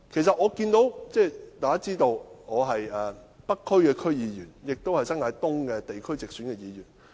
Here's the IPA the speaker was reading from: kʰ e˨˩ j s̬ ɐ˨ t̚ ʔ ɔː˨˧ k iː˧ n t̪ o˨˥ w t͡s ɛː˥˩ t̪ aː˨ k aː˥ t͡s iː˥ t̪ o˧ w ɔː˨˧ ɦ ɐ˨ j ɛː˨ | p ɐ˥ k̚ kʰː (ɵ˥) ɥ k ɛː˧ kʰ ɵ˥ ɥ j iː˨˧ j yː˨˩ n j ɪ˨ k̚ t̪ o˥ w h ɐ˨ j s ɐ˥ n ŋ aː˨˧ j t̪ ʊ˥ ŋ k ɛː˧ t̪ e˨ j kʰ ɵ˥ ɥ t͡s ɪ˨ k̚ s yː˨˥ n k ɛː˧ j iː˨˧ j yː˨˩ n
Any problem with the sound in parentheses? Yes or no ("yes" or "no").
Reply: no